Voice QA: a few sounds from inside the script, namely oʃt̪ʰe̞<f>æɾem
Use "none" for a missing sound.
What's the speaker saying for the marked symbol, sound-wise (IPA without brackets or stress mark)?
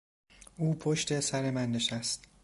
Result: s